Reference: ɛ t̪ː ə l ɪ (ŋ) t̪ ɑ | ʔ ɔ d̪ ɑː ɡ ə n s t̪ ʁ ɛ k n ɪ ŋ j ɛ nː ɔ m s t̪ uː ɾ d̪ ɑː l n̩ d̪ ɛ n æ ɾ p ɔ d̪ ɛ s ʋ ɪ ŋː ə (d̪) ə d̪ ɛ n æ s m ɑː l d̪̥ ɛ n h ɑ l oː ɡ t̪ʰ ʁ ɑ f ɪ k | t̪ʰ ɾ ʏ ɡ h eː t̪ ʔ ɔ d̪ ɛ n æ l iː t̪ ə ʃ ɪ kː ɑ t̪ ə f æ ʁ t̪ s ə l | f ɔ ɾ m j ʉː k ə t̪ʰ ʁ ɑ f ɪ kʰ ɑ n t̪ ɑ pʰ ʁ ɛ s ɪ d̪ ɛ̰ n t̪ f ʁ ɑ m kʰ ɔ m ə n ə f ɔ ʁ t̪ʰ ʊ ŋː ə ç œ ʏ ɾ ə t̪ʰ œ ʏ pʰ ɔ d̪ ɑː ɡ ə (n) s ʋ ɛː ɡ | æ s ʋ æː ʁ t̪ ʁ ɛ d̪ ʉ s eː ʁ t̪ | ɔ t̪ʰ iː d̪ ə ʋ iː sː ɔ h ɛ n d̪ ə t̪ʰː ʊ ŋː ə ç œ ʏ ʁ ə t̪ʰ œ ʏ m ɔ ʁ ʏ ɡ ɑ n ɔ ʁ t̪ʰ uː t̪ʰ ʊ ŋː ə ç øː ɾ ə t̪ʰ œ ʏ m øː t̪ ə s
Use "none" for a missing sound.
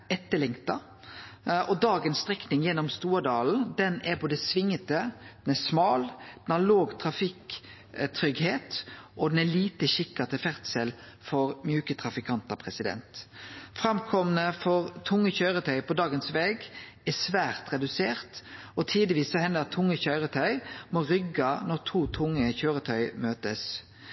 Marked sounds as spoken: ŋ, t̪, n

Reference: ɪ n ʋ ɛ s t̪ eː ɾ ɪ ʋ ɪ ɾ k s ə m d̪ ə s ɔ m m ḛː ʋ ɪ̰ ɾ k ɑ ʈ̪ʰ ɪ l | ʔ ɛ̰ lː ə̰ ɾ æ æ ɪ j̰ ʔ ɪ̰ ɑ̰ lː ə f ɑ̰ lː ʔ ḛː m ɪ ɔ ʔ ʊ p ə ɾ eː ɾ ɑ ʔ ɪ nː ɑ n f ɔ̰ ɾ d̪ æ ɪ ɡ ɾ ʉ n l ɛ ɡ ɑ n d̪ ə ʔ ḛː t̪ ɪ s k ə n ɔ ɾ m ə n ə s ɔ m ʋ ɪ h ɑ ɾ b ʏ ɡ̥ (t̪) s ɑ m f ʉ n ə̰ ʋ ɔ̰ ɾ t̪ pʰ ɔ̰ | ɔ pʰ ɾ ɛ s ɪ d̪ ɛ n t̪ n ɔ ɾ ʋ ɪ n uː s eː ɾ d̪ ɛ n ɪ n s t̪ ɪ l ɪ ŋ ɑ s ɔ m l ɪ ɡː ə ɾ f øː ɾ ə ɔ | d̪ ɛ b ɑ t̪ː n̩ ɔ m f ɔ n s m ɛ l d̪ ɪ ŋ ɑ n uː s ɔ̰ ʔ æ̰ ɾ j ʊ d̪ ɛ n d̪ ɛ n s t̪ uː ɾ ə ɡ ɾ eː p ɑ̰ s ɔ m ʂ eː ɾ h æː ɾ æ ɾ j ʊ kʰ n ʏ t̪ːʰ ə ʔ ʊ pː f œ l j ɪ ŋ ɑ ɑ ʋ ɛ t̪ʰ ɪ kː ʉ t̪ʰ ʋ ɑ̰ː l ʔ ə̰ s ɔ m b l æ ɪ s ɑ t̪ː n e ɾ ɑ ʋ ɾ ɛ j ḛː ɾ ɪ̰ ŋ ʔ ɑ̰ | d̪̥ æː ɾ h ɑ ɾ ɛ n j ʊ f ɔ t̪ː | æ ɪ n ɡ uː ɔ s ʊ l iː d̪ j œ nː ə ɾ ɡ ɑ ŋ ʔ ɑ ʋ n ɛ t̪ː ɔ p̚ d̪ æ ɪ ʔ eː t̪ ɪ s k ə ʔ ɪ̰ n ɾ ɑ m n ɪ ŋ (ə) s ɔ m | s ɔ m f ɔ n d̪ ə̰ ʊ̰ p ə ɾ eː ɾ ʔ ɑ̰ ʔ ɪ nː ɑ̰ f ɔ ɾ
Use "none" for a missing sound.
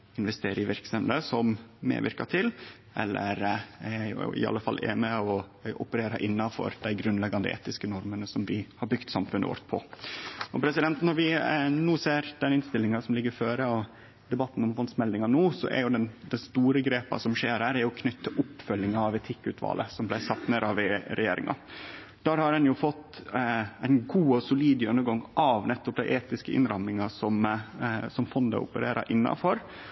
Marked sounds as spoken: t̪, ɑ

